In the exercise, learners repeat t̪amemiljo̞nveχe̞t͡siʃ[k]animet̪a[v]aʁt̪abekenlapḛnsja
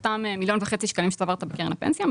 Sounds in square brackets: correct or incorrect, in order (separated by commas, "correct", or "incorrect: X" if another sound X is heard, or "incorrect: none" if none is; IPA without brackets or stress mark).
correct, correct